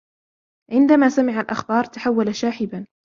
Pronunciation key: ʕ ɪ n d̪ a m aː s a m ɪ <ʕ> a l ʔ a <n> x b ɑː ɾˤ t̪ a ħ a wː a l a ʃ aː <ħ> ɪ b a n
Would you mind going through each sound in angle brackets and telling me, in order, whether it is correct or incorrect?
correct, incorrect, correct

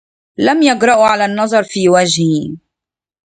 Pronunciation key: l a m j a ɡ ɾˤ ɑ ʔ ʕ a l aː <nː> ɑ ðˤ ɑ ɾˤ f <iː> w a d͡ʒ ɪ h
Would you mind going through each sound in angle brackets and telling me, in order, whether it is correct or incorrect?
correct, correct

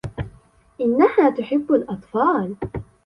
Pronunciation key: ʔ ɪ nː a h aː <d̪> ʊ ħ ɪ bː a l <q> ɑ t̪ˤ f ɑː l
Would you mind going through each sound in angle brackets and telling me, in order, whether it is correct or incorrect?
incorrect, incorrect

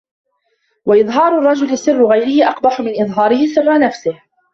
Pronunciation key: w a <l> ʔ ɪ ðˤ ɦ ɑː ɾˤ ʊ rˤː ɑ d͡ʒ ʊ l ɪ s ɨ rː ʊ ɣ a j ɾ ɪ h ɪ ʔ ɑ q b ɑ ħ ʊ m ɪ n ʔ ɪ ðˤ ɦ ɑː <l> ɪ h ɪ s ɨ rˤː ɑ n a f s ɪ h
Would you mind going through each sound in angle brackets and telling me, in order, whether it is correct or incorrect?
incorrect, incorrect

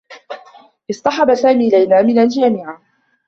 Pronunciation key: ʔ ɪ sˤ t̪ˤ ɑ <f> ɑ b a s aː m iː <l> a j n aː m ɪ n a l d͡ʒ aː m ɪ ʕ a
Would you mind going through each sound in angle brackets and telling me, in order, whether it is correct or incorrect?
incorrect, correct

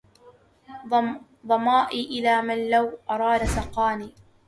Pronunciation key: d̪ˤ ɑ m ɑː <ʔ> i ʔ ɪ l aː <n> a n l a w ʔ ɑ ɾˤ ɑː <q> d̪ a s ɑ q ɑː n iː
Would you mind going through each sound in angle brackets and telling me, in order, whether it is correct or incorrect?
correct, incorrect, incorrect

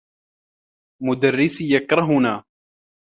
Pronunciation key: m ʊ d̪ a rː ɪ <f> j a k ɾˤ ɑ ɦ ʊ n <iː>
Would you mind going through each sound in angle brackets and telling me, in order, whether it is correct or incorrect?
incorrect, incorrect

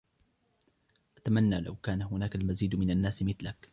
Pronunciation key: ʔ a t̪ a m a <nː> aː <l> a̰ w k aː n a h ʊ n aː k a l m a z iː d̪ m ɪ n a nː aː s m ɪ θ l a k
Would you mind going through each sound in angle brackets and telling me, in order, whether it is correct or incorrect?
correct, correct

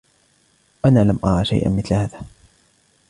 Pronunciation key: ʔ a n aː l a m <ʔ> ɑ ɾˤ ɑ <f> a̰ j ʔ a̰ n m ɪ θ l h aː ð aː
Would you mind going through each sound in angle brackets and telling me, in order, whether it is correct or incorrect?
correct, incorrect

